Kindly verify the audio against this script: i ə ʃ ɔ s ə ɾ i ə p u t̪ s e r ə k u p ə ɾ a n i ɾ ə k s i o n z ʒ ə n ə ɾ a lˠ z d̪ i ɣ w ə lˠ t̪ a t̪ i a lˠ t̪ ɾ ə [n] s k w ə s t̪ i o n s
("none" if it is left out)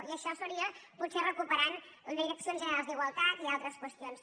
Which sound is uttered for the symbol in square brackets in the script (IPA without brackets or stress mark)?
none